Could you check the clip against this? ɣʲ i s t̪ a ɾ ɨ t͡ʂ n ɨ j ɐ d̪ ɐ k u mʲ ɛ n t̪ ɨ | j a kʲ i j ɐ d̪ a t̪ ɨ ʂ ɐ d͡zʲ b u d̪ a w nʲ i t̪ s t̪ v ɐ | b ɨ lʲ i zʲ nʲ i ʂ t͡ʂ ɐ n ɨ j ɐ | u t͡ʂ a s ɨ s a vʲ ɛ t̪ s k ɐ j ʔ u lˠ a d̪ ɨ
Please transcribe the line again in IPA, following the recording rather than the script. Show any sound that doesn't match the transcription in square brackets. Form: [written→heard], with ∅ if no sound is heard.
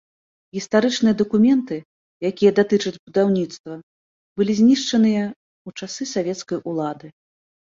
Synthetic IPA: ɣʲ i s t̪ a ɾ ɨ t͡ʂ n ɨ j ɐ d̪ ɐ k u mʲ ɛ n t̪ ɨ | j a kʲ i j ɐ d̪ a t̪ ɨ [ʂ→t͡ʂ] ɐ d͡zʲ b u d̪ a w nʲ i t̪ s t̪ v ɐ | b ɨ lʲ i zʲ nʲ i ʂ t͡ʂ ɐ n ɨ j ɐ | u t͡ʂ a s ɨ s a vʲ ɛ t̪ s k ɐ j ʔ u lˠ a d̪ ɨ

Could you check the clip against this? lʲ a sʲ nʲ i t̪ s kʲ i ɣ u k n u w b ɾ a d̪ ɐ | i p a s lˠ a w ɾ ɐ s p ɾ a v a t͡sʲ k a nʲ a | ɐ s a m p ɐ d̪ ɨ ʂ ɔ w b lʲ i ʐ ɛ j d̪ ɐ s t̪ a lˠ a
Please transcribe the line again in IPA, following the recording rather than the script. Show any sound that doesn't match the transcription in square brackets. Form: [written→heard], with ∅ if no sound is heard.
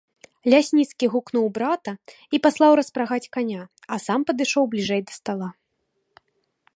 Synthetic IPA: lʲ a sʲ nʲ i t̪ s kʲ i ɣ u k n u w b ɾ a [d̪→t̪] ɐ | i p a s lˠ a w ɾ ɐ s p ɾ a [v→ɣ] a t͡sʲ k a nʲ a | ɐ s a m p ɐ d̪ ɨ ʂ ɔ w b lʲ i ʐ ɛ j d̪ ɐ s t̪ a lˠ a

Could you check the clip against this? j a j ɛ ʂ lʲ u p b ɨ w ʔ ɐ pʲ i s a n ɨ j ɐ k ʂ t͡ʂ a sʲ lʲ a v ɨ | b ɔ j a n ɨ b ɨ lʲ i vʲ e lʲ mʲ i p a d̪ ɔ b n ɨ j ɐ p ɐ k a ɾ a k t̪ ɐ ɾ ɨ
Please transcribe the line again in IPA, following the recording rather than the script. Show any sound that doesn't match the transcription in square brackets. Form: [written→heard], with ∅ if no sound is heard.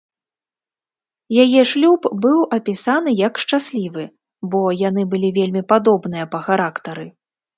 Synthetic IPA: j a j ɛ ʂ lʲ u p b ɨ w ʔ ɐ pʲ i s a n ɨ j ɐ k ʂ t͡ʂ a sʲ lʲ [a→i] v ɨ | b ɔ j a n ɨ b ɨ lʲ i vʲ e lʲ mʲ i p a d̪ ɔ b n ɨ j ɐ p ɐ [k→x] a ɾ a k t̪ ɐ ɾ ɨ

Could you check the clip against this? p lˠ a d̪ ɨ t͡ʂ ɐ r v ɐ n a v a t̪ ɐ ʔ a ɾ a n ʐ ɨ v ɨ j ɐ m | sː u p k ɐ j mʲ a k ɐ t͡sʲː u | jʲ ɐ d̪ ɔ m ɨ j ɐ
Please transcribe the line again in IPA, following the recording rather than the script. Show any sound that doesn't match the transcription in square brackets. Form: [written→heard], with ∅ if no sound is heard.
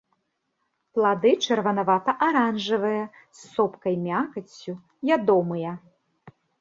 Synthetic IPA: p lˠ a d̪ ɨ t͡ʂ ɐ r v ɐ n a v a t̪ ɐ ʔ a ɾ a n ʐ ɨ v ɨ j ɐ [m→∅] | sː [u→ɔ] p k ɐ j mʲ a k ɐ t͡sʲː u | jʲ [ɐ→a] d̪ ɔ m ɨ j ɐ

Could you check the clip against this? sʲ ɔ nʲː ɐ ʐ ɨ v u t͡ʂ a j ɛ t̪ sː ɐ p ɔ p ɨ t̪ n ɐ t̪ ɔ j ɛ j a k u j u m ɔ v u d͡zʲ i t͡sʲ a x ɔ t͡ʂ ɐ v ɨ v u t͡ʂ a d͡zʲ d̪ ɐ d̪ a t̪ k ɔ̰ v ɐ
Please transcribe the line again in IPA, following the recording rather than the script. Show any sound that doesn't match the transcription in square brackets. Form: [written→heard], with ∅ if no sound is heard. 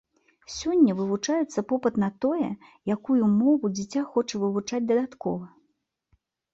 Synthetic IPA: sʲ ɔ nʲː ɐ [ʐ→v] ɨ v u t͡ʂ a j ɛ t̪ sː ɐ p ɔ p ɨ t̪ n ɐ t̪ ɔ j ɛ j a k u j u m ɔ v u d͡zʲ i t͡sʲ a x ɔ t͡ʂ ɐ v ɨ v u t͡ʂ a d͡zʲ d̪ ɐ d̪ a t̪ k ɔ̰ v ɐ

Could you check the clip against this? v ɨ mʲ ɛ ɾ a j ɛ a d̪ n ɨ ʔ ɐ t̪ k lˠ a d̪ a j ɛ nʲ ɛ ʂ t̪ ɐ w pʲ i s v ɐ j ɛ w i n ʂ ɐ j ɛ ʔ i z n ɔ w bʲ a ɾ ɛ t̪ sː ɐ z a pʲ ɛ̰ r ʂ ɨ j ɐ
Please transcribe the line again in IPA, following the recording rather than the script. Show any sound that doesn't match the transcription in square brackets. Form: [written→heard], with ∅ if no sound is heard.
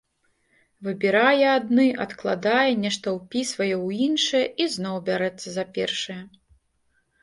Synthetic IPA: v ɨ [mʲ→bʲ] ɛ ɾ a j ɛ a d̪ n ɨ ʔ ɐ t̪ k lˠ a d̪ a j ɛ nʲ ɛ ʂ t̪ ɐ w pʲ i s v ɐ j ɛ w i n ʂ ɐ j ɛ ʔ i z n ɔ w bʲ a ɾ ɛ t̪ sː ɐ z a pʲ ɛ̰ r ʂ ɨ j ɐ

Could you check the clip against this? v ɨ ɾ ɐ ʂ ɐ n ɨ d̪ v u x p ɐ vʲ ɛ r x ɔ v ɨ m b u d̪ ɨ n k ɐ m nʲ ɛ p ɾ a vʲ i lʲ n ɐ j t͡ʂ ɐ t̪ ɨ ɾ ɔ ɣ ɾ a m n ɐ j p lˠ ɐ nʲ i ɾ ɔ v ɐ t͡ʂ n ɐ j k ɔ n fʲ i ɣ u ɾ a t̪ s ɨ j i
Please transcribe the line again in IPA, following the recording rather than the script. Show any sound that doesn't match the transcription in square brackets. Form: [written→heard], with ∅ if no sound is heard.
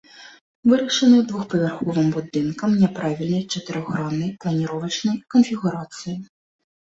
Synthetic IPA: v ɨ ɾ ɐ ʂ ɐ n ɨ d̪ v u x p ɐ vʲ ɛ r x ɔ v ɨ m b u d̪ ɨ n k ɐ m nʲ ɛ p ɾ a vʲ i lʲ n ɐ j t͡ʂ ɐ t̪ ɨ ɾ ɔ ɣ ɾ a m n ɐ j p lˠ ɐ nʲ i ɾ ɔ v ɐ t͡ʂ n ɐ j k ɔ n fʲ i ɣ u ɾ a t̪ s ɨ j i

